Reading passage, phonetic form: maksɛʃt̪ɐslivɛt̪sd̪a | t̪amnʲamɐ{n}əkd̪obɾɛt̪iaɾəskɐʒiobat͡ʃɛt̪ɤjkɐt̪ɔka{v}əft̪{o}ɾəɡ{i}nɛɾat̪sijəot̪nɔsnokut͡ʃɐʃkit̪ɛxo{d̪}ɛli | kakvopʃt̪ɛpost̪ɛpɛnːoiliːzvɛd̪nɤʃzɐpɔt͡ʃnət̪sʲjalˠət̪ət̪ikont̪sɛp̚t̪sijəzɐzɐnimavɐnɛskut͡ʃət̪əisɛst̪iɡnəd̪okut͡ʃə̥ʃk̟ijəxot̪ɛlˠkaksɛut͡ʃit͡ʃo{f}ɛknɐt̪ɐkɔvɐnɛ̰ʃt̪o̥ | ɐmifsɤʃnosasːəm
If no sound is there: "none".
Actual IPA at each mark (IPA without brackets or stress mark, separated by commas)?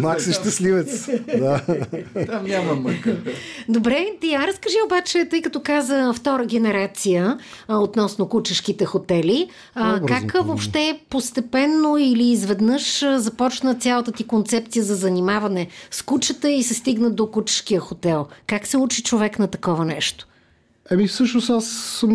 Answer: m, z, ɔ, ɛ, t̪, v